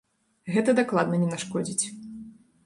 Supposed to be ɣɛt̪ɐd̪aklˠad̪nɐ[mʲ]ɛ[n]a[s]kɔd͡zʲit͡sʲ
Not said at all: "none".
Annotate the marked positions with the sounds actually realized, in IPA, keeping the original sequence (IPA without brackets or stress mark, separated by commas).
nʲ, n, ʂ